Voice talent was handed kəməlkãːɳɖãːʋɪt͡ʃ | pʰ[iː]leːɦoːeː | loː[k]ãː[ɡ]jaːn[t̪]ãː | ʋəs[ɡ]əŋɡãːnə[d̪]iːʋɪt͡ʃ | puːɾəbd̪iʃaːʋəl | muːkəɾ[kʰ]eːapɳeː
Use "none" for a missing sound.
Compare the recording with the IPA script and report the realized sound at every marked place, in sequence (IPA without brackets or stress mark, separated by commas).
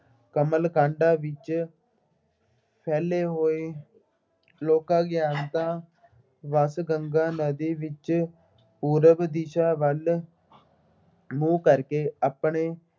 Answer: ɛː, k, ɡ, t̪, ɡ, d̪, k